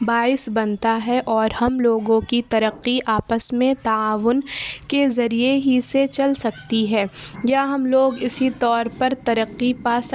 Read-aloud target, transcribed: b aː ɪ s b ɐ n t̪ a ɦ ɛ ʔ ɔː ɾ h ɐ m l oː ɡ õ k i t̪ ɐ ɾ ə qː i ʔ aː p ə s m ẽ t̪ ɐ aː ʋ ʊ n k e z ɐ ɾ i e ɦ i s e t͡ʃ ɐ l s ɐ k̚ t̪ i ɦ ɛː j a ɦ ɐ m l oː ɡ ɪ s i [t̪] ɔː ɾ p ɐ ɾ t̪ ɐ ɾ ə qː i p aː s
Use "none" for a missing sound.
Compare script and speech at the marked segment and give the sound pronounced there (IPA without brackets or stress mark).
t̪